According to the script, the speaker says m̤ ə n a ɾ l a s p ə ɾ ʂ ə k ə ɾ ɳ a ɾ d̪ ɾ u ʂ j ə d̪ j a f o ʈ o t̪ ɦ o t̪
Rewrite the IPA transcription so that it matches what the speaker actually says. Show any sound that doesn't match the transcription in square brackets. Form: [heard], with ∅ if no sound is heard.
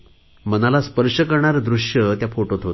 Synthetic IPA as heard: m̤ ə n a [∅] l a s p ə ɾ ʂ ə k ə ɾ ɳ a ɾ d̪ ɾ u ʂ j ə [t̪] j a f o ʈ o t̪ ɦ o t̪